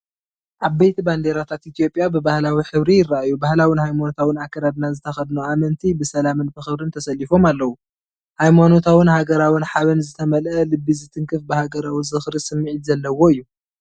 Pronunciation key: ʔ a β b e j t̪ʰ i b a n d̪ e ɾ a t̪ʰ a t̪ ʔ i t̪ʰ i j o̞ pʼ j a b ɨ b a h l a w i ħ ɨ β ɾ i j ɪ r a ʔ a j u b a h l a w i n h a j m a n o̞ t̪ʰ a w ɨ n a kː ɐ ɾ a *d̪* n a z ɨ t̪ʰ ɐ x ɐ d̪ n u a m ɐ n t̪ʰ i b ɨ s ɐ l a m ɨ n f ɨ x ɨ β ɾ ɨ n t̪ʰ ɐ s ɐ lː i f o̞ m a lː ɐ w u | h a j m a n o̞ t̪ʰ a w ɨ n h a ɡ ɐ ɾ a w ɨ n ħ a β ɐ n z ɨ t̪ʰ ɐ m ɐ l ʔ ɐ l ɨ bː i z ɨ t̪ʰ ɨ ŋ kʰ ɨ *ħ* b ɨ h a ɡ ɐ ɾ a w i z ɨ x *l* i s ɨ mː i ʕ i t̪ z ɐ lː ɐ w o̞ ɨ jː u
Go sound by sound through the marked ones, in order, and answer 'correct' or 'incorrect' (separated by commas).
correct, incorrect, incorrect